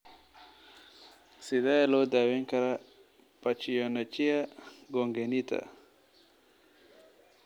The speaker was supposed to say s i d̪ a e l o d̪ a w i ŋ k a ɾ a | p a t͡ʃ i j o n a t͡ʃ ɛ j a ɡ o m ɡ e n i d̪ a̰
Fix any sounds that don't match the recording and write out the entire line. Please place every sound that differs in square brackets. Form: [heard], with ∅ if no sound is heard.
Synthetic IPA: s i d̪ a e l o d̪ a w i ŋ k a ɾ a | p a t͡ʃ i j o n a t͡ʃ [i] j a ɡ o [ŋ] ɡ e n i [t̪] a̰